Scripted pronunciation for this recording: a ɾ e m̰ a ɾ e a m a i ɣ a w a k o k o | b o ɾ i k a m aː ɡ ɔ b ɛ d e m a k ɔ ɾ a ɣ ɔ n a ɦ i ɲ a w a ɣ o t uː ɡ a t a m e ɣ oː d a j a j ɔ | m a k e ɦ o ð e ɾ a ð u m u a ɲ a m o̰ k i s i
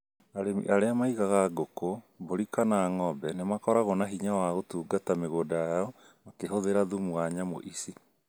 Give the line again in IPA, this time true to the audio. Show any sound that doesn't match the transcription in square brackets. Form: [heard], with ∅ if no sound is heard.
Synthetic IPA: a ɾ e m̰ a ɾ e a m a i ɣ a [ɣ] a [ɡ] o k o | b o ɾ i k a [n] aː [ŋ] ɔ b ɛ [n] e m a k ɔ ɾ a ɣ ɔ n a ɦ i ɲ a w a ɣ o t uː ɡ a t a m e ɣ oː d a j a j ɔ | m a k e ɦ o ð e ɾ a ð u m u a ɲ a m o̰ [ʔ] i s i